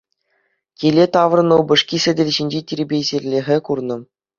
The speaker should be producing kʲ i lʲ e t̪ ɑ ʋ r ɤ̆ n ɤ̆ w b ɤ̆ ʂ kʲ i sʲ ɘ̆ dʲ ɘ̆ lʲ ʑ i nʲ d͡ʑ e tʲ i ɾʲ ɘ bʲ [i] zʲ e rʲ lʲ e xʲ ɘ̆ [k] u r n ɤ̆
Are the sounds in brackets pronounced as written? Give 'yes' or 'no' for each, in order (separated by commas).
no, yes